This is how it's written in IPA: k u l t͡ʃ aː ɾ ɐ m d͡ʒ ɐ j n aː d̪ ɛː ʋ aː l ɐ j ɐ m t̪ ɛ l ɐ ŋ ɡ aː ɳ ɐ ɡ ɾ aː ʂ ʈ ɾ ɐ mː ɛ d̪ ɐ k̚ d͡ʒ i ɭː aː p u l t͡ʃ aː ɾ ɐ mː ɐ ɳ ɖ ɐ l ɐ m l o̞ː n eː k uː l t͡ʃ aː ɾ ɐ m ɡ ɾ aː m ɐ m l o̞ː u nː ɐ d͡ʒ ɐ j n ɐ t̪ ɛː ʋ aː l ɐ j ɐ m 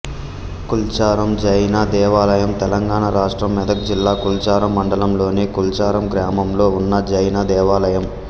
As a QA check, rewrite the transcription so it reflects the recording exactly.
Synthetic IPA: k u l t͡ʃ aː ɾ ɐ m d͡ʒ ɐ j n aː d̪ ɛː ʋ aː l ɐ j ɐ m t̪ ɛ l ɐ ŋ ɡ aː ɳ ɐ ɾ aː ʂ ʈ ɾ ɐ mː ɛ d̪ ɐ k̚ d͡ʒ i lː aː k u l t͡ʃ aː ɾ ɐ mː ɐ ɳ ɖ ɐ l ɐ m l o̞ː n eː k u l t͡ʃ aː ɾ ɐ m ɡ ɾ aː m ɐ m l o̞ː u nː ɐ d͡ʒ ɐ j n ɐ d̪ ɛː ʋ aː l ɐ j ɐ m